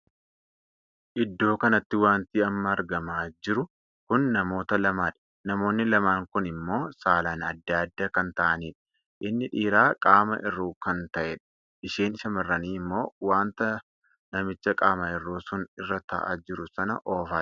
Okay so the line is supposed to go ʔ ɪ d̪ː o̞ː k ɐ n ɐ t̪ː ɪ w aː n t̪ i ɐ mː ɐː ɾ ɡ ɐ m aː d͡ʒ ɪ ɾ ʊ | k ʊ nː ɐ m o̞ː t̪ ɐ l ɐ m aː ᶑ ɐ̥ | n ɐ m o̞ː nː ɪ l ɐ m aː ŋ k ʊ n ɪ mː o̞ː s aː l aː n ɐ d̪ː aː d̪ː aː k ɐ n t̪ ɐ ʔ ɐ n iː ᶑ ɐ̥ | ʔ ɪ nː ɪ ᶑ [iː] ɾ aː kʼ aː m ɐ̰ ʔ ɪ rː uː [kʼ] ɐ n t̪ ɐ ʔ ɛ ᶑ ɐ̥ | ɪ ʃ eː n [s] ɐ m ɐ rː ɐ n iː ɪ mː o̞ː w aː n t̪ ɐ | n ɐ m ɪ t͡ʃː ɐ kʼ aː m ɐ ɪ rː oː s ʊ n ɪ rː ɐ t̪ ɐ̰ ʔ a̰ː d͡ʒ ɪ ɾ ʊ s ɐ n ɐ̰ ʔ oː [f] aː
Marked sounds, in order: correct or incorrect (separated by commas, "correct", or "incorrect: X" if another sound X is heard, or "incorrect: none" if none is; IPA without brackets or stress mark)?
correct, incorrect: k, incorrect: ʃ, correct